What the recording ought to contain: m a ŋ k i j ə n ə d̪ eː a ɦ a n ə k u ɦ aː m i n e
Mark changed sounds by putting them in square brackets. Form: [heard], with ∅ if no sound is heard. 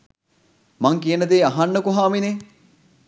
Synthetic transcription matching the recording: m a ŋ k i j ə n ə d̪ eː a ɦ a [nː] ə k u ɦ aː m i n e